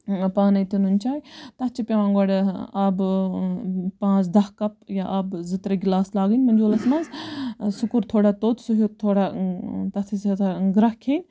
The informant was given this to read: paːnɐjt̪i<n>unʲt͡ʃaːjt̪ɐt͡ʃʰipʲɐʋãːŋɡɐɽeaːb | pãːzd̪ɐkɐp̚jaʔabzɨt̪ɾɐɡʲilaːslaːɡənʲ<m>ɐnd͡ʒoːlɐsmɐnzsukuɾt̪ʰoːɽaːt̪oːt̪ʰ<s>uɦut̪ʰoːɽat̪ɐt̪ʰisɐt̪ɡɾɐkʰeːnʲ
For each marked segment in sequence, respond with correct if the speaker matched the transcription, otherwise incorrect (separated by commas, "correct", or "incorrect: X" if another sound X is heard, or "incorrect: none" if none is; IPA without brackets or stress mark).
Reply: correct, correct, correct